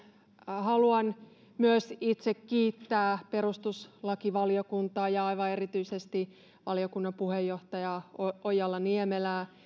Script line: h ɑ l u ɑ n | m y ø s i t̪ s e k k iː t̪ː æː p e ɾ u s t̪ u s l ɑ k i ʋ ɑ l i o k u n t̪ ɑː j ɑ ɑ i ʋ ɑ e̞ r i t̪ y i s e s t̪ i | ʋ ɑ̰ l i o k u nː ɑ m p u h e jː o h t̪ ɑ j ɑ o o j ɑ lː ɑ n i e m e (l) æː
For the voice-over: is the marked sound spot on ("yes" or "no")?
yes